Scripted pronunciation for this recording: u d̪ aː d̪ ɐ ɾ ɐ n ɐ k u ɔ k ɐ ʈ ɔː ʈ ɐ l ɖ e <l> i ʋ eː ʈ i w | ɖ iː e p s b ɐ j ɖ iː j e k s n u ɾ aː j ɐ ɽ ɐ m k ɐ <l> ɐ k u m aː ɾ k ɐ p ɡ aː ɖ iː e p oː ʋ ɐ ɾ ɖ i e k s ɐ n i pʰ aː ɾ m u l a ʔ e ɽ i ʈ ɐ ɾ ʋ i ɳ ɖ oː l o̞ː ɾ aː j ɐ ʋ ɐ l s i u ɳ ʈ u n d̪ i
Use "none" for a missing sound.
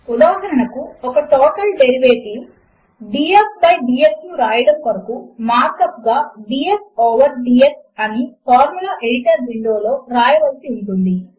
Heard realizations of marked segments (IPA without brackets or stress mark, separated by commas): ɾ, ɾ